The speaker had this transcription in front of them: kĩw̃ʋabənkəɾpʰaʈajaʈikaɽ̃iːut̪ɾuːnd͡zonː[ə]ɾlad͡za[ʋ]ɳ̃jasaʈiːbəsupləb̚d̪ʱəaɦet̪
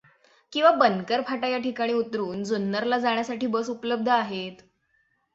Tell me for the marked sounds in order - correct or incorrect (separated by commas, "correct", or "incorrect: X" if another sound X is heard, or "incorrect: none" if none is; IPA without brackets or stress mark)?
correct, incorrect: none